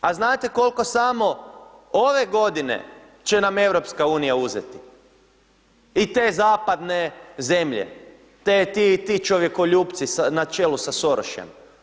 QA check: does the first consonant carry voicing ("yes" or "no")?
yes